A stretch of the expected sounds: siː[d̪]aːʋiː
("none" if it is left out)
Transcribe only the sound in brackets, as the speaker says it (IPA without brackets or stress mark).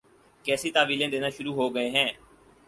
t̪